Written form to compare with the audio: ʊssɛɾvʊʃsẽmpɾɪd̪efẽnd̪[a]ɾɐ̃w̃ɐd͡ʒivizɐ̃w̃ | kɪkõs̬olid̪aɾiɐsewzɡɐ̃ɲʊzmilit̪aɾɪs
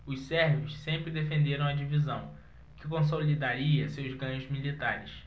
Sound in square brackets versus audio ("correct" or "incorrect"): incorrect